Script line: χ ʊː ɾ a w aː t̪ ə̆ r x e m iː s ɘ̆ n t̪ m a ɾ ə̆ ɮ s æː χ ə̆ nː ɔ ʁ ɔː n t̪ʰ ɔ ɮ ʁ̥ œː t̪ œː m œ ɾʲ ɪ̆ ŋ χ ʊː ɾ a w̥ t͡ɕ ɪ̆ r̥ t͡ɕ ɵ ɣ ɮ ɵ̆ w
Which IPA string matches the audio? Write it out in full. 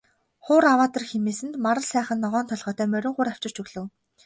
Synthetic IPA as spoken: χ ʊː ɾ a w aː t̪ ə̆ r x e m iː s ɘ̆ n t̪ m a ɾ ə̆ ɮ s æː χ ə̆ nː ɔ ʁ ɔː n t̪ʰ ɔ ɮ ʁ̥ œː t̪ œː m œ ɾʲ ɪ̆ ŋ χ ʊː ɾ a w̥ t͡ɕ ɪ̆ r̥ t͡ɕ ɵ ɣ ɮ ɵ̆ w